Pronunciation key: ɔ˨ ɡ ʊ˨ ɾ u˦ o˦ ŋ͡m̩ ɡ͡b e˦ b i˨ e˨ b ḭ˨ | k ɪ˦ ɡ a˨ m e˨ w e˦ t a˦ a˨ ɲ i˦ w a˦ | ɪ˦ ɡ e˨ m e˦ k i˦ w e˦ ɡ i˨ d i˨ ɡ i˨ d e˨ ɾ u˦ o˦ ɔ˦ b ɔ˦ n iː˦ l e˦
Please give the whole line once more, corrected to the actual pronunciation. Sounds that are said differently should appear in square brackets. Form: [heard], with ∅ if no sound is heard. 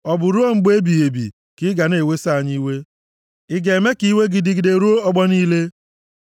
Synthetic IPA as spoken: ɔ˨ [b] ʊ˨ ɾ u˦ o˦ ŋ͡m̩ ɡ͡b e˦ b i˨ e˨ b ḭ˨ | k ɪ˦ ɡ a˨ [n] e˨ w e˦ [s] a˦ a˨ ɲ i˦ w [e˦] | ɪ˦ ɡ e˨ m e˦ k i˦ w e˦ ɡ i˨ d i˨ ɡ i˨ d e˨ ɾ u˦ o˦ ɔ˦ [ɡ͡b] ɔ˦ n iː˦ l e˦